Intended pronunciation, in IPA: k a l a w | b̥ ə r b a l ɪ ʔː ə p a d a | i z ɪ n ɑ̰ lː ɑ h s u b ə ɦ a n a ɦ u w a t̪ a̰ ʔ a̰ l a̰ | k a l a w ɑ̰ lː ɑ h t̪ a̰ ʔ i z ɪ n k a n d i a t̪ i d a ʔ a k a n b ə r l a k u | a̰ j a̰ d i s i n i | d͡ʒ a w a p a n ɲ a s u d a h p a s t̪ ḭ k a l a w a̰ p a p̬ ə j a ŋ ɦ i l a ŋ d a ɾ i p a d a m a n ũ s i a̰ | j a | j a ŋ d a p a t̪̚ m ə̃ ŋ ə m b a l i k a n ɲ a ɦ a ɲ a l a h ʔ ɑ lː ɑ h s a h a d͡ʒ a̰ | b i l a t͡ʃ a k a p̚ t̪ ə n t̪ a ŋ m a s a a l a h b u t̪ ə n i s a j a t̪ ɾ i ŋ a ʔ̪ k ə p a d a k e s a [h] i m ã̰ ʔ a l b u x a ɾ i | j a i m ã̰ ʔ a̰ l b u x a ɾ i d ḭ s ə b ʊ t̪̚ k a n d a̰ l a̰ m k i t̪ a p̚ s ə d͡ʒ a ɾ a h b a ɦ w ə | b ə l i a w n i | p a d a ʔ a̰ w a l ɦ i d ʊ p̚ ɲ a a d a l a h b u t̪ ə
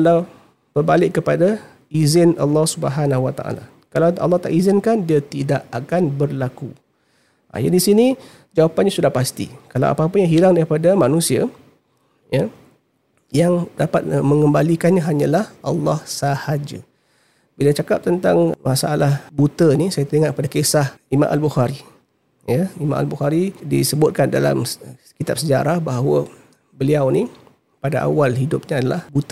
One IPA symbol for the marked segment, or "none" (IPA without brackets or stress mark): h